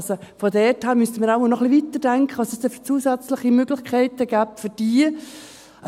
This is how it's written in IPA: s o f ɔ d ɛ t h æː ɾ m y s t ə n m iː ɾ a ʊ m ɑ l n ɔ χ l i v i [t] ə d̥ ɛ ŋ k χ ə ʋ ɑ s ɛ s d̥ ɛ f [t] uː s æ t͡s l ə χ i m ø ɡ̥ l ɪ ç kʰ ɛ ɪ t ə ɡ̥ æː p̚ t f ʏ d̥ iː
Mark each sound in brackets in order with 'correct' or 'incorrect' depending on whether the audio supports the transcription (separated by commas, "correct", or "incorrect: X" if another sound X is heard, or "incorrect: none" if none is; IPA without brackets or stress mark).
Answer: correct, incorrect: t͡s